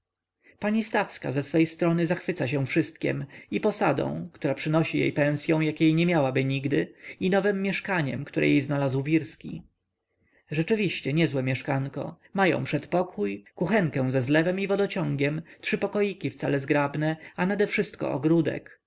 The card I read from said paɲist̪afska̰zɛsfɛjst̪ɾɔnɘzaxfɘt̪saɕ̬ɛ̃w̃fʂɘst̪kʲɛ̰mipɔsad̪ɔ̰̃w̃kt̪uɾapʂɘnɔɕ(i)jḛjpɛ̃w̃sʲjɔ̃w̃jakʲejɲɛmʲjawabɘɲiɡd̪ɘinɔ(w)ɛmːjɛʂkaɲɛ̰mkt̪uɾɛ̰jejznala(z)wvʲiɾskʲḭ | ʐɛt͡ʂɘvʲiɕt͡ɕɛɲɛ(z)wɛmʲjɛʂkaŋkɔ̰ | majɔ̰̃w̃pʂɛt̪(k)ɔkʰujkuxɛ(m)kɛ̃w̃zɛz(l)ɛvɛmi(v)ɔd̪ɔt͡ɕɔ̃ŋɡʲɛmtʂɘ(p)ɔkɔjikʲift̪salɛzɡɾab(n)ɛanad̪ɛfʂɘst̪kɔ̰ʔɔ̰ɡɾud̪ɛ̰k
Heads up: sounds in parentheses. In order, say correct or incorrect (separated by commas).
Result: correct, incorrect, correct, correct, incorrect, incorrect, correct, correct, correct, correct